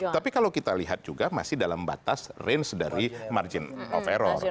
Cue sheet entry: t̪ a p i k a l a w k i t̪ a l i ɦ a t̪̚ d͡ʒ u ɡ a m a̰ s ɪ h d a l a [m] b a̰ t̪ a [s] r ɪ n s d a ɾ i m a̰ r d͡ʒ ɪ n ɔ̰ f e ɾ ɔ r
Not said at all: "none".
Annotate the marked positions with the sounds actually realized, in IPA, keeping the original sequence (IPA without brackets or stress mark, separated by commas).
m, s